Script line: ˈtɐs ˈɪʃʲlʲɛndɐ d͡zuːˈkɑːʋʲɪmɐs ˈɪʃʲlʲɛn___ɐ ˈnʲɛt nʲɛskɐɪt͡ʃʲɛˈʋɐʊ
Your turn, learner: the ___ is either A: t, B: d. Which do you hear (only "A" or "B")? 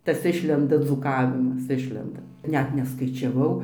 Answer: B